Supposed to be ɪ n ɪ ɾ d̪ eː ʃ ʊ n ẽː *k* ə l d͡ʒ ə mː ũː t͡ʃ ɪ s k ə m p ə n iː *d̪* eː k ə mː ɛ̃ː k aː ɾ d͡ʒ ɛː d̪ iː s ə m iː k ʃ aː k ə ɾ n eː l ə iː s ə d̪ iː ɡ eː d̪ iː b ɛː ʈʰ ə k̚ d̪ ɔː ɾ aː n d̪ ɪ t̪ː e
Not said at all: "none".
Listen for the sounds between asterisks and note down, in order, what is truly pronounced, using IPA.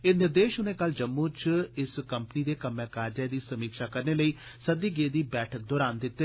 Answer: k, d̪

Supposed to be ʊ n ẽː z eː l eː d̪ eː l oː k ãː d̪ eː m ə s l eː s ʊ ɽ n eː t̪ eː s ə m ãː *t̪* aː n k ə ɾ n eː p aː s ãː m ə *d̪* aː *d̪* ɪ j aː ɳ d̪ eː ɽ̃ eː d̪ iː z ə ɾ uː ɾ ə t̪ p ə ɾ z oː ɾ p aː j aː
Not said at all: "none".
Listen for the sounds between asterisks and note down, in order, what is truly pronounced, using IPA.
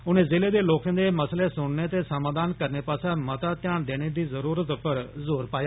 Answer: d̪, t̪, t̪

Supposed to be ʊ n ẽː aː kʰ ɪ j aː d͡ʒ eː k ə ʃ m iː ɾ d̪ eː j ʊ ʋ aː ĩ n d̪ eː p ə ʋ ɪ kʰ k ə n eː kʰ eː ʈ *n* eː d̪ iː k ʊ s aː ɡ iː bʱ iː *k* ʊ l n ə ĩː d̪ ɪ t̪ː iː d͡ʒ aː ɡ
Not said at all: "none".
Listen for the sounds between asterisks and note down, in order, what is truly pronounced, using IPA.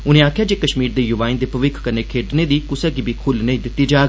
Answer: n, kʰ

